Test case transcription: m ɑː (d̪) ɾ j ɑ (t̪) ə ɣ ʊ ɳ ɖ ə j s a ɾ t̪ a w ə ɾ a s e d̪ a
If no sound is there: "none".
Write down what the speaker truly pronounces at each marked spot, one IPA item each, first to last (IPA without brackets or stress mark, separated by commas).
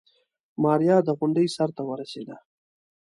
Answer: none, d̪